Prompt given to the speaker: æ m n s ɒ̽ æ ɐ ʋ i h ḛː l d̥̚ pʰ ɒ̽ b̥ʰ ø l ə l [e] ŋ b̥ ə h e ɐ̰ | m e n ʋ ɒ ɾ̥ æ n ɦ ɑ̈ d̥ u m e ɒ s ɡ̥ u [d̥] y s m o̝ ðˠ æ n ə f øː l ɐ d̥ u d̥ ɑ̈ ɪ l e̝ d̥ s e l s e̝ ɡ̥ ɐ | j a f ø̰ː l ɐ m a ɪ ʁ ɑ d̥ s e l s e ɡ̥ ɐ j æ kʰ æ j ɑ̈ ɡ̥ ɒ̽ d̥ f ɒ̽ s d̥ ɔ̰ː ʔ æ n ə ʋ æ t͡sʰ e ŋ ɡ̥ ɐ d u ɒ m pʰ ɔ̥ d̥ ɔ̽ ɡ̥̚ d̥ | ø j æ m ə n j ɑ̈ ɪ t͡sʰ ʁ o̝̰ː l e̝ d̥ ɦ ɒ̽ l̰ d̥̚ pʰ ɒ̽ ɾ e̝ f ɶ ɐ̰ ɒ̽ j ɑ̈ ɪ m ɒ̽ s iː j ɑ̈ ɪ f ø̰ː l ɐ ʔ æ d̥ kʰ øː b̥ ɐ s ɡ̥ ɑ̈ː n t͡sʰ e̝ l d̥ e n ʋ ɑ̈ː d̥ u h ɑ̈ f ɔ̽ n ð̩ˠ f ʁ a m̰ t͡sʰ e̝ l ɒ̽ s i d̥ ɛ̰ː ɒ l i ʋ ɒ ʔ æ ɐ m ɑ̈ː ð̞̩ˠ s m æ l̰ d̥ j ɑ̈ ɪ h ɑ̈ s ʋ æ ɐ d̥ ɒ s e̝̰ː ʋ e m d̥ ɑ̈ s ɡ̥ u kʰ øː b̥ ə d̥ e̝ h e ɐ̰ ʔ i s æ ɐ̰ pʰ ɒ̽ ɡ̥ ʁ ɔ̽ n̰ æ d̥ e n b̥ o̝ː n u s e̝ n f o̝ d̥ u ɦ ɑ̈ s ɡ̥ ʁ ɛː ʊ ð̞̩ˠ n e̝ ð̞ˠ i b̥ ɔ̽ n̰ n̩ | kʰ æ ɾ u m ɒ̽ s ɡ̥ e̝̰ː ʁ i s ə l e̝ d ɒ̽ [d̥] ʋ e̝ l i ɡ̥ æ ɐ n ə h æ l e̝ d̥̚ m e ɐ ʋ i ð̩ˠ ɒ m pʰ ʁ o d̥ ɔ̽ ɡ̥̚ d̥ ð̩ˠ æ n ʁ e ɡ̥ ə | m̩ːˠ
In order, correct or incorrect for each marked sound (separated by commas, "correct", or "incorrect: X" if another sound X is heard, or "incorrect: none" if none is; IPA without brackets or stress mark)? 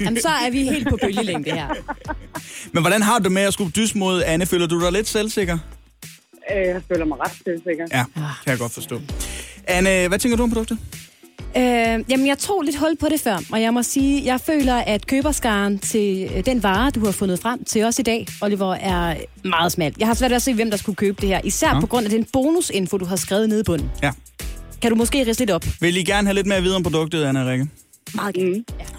correct, correct, incorrect: b̥